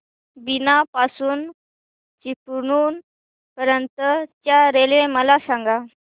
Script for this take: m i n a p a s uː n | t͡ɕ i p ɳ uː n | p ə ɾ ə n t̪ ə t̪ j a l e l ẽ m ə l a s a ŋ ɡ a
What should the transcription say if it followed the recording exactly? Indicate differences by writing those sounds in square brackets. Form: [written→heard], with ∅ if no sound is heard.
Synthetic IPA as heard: [m→b] i n a p a s uː n | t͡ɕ i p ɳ uː n | p ə ɾ ə n t̪ ə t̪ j a [l→ɾ] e l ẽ m ə l a s a ŋ ɡ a